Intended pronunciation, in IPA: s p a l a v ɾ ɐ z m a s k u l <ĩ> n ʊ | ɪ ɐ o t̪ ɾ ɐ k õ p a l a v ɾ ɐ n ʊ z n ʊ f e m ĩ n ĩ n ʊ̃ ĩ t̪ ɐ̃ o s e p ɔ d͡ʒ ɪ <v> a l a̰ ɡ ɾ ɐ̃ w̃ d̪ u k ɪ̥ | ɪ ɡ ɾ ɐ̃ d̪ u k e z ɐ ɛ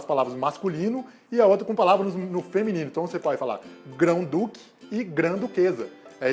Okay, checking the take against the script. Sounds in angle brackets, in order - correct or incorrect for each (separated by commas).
correct, incorrect